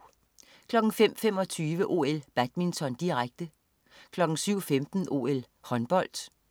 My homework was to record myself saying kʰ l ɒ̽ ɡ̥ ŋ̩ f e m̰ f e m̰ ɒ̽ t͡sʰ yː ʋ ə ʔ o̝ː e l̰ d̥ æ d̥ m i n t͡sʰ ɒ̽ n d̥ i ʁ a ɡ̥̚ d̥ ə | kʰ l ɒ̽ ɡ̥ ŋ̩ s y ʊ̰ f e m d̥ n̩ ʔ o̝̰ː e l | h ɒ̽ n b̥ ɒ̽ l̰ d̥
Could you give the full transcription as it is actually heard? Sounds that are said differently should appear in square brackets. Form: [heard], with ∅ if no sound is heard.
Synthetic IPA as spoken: kʰ l ɒ̽ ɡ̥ ŋ̩ f e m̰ f e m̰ ɒ̽ t͡sʰ yː ʋ ə ʔ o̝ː e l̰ [b̥] æ d̥ m i n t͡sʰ ɒ̽ n d̥ i ʁ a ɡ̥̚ d̥ ə | kʰ l ɒ̽ ɡ̥ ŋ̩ s y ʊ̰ f e m d̥ n̩ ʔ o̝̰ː e l | h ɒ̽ n b̥ ɒ̽ l̰ d̥